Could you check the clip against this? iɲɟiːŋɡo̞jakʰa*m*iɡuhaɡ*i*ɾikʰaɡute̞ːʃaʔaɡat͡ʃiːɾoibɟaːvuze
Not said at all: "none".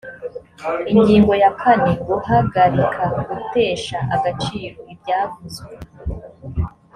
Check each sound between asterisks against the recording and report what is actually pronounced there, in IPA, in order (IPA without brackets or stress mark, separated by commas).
n, a